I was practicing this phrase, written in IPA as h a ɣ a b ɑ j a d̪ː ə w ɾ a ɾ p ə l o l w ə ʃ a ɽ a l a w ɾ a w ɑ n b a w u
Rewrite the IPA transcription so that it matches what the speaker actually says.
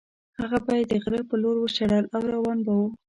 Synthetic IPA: h a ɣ a b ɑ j a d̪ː ə ɣ ɾ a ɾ p ə l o ɾ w ə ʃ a ɽ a l a w ɾ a w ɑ n b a w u